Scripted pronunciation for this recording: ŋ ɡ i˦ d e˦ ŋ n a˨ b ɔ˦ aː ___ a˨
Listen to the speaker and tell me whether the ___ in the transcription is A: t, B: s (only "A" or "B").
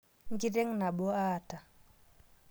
A